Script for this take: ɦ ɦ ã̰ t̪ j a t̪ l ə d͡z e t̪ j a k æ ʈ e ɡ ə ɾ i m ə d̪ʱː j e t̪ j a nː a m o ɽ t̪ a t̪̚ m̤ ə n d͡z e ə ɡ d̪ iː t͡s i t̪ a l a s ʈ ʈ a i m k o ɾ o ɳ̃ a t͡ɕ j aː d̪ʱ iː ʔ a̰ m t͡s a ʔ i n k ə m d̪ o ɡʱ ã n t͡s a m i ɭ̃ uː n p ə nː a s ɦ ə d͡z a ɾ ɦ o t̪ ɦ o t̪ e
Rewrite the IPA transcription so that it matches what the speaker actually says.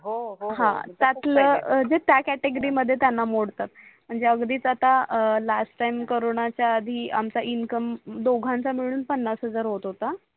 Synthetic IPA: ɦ ɦ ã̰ t̪ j a t̪ l ə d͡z e t̪ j a k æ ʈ e ɡ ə ɾ i m ə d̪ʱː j e t̪ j a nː a m o ɽ t̪ a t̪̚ m̤ ə ɳ d͡z e ə ɡ d̪ iː t͡s a t̪ a l a s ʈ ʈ a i m k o ɾ o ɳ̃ a t͡ɕ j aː d̪ʱ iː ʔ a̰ m t͡s a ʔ i n k ə m d̪ o ɡʱ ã n t͡s a m i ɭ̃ uː n p ə nː a s ɦ ə d͡z a ɾ ɦ o t̪ ɦ o t̪ a